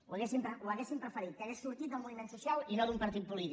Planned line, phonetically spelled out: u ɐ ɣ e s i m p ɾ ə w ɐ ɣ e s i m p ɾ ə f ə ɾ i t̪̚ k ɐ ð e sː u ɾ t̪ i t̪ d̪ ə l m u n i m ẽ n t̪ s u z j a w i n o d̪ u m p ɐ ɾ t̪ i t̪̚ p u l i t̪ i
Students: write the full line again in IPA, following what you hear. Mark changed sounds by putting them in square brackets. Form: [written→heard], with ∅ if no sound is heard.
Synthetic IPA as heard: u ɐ ɣ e s i m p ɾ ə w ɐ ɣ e s i m p ɾ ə f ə ɾ i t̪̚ k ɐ [ð→ɣ] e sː u ɾ t̪ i t̪ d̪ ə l m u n i m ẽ n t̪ s u [z→s] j a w i n o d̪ u m p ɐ ɾ t̪ i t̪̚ p u l i t̪ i